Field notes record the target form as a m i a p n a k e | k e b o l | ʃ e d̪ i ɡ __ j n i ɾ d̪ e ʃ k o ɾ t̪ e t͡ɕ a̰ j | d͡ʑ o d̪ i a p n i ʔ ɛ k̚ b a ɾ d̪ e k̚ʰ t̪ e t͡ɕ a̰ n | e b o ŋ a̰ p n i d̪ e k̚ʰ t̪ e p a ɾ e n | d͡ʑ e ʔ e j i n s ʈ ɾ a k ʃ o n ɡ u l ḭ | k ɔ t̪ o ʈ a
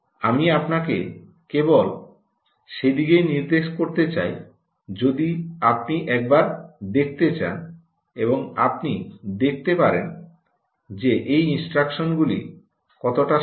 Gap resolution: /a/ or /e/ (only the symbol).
e